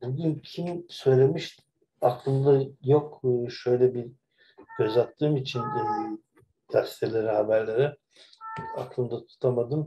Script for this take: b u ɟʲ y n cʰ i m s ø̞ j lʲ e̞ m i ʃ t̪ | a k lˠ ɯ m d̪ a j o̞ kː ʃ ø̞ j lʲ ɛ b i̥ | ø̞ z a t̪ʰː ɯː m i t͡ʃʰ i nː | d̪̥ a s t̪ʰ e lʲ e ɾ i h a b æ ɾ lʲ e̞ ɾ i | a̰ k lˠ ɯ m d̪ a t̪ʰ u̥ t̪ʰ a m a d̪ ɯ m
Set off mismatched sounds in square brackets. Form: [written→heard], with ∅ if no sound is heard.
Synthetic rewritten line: b u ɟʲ y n cʰ i m s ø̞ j lʲ e̞ m i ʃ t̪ | a k lˠ ɯ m d̪ a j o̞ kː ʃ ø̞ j lʲ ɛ b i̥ | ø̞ z a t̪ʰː ɯː m i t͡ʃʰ i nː | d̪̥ a s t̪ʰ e lʲ e ɾ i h a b æ ɾ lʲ e̞ ɾ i | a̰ k lˠ ɯ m d̪ a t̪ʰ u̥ t̪ʰ a m a d̪ ɯ m